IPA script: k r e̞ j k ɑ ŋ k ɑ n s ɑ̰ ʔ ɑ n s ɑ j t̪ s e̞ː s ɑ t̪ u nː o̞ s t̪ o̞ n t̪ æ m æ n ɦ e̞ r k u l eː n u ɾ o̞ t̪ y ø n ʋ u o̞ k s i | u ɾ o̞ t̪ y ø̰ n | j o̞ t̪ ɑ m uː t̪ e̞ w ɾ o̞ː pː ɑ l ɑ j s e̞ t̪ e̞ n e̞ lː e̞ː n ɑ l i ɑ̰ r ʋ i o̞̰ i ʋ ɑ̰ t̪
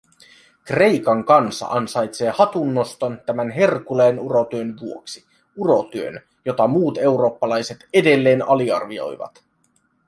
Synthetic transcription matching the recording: k r e̞ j k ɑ ŋ k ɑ n s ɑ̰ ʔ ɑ n s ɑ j t̪ s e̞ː h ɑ t̪ u nː o̞ s t̪ o̞ n t̪ æ m æ n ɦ e̞ r k u l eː n u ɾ o̞ t̪ y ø n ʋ u o̞ k s i | u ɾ o̞ t̪ y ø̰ n | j o̞ t̪ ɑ m uː t̪ e̞ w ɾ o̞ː pː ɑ l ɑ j s e̞ t̪ e̞ d e̞ lː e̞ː n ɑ l i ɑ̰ r ʋ i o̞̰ j ʋ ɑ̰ t̪

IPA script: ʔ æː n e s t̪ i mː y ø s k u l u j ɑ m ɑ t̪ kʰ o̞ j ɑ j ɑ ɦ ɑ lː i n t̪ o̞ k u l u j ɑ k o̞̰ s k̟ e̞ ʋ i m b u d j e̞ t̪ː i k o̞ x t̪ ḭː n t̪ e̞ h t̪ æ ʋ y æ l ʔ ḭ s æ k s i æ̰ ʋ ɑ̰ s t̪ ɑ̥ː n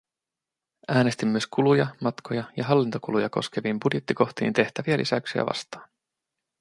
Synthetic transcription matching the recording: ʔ æː n e s t̪ i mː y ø s k u l u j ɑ m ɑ t̪ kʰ o̞ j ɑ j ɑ ɦ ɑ lː i n t̪ o̞ k u l u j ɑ k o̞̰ s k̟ e̞ ʋ i m b u d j e̞ t̪ː i k o̞ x t̪ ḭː n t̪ e̞ h t̪ æ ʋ i æ l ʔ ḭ s æ k s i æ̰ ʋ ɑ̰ s t̪ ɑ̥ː n

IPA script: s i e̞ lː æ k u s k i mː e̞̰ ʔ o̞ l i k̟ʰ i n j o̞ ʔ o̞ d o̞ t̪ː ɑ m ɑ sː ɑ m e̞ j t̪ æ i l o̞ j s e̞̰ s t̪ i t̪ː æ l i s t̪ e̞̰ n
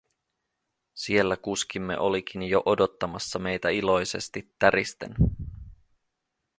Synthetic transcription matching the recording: s i e̞ lː æ k u s k i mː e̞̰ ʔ o̞ l i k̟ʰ i n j o̞ ʔ o̞ d o̞ t̪ː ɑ m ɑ sː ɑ m e̞ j t̪ æ i l o̞ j s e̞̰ s t̪ i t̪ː æ ɾ i s t̪ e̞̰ n

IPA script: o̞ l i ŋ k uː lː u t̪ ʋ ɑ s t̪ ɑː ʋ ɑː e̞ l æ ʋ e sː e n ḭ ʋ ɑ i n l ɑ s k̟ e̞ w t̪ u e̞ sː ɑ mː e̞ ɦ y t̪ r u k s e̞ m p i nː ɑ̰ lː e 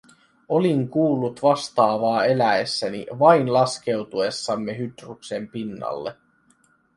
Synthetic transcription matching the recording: o̞ l i ŋ k uː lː u t̪ ʋ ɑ s t̪ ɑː ʋ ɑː e̞ l æ e sː æ n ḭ ʋ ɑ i n l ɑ s k̟ e̞ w t̪ u e̞ sː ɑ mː e̞ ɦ y t̪ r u k s e̞ m p i nː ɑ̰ lː e

